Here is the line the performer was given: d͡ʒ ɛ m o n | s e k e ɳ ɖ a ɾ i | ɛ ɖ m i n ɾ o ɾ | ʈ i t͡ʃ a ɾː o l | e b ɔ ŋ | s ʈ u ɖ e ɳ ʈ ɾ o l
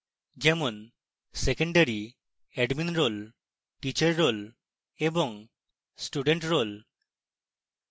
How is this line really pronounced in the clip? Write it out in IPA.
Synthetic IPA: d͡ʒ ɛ m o n | s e k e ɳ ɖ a ɾ i | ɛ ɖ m i n ɾ o l | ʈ i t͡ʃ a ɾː o l | e b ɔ ŋ | s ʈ u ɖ e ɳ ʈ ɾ o l